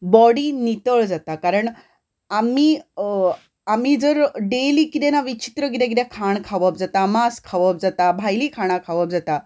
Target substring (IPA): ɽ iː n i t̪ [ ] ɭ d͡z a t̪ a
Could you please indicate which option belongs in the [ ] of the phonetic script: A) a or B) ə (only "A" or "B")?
B